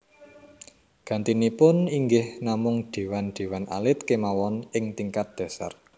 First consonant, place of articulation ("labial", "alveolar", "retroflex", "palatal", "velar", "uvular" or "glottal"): velar